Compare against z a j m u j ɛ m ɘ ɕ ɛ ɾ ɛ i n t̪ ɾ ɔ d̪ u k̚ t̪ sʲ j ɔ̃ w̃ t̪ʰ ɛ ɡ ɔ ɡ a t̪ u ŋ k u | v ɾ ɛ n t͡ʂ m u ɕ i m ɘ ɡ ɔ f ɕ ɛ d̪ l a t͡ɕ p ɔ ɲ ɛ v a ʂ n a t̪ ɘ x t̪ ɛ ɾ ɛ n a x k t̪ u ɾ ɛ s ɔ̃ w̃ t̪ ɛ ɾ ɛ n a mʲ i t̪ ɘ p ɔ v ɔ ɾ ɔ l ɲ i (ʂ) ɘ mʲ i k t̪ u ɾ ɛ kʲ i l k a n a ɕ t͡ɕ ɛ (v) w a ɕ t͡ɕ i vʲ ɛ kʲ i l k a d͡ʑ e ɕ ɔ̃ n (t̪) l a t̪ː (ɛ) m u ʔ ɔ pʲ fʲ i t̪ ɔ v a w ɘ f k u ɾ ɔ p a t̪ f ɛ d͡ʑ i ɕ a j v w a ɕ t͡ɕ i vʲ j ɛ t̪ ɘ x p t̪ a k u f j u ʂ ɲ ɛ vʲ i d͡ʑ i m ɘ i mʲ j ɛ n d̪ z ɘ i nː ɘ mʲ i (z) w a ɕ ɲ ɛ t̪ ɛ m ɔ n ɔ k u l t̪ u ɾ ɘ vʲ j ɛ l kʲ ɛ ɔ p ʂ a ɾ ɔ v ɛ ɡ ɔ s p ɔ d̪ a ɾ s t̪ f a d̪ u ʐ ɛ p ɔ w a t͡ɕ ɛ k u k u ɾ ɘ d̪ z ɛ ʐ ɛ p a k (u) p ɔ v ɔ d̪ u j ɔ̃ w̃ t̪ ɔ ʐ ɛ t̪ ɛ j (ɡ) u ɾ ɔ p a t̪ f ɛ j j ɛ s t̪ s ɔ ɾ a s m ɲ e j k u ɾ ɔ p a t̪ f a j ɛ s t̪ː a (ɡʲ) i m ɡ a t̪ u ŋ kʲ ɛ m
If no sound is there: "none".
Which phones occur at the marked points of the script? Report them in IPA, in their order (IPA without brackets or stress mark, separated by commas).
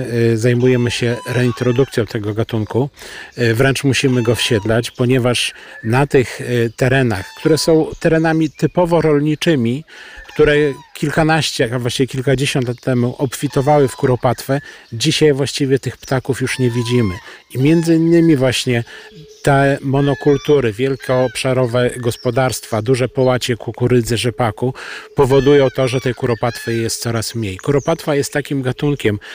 t͡ʂ, v, t̪, ɛ, v, u, k, kʲ